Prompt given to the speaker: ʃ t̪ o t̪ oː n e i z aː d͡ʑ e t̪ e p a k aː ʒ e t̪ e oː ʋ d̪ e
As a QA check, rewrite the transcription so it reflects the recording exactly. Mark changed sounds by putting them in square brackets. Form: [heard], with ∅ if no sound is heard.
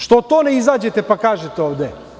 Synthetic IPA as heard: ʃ t̪ o t̪ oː n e i z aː d͡ʑ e t̪ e p a k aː ʒ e t̪ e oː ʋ d̪ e